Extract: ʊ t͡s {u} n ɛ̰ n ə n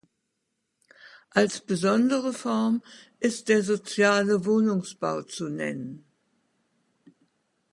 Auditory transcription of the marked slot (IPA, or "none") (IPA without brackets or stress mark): u